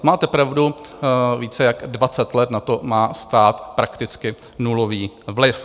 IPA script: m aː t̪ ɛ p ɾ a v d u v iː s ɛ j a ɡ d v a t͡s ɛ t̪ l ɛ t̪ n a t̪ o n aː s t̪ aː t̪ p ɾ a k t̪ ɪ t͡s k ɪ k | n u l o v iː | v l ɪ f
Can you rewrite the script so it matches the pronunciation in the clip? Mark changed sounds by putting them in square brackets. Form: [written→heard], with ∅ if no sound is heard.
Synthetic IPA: m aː t̪ ɛ p ɾ a v d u v iː [s→t͡s] ɛ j a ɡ d v a t͡s ɛ t̪ l ɛ t̪ n a t̪ o [n→m] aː s t̪ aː t̪ p ɾ a k t̪ ɪ t͡s k ɪ [k→∅] | n u l o v iː | v l ɪ f